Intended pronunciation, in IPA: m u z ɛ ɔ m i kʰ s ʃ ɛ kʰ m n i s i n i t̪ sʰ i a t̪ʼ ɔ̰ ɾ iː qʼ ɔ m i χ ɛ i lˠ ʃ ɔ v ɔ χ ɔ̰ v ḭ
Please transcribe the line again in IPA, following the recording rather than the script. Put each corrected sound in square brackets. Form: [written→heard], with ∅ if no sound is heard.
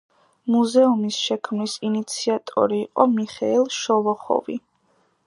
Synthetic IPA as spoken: m u z ɛ [ɔ→u] m i [kʰ→∅] s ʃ ɛ kʰ m n i s i n i t̪ sʰ i a t̪ʼ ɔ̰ ɾ iː qʼ ɔ m i χ ɛ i lˠ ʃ ɔ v ɔ χ ɔ̰ v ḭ